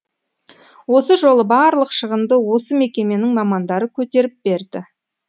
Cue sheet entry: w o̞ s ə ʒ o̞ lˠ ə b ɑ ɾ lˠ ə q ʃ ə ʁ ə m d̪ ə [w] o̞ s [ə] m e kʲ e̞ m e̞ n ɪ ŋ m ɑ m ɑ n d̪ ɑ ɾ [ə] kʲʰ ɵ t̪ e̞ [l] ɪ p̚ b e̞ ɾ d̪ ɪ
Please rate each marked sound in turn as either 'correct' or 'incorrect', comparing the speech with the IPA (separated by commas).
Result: correct, correct, correct, incorrect